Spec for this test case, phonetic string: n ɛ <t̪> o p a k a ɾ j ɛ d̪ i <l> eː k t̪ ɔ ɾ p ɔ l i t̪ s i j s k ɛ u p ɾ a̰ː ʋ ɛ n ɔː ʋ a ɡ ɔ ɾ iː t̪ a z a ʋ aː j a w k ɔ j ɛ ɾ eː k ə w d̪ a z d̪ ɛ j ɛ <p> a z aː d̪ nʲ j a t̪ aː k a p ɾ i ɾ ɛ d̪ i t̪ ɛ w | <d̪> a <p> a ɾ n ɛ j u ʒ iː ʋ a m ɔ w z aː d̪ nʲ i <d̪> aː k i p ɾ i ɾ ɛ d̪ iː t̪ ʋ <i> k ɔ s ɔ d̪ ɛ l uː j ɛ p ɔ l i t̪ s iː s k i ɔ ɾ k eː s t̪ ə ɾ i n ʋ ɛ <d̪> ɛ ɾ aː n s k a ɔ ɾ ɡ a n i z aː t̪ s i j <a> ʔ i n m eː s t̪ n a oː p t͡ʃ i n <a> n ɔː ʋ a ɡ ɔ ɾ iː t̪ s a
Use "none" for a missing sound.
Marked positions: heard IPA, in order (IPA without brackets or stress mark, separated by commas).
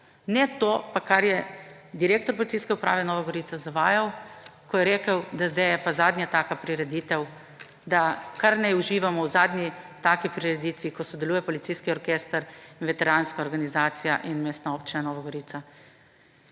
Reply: t̪, ɾ, p, d̪, k, t̪, i, t̪, a, a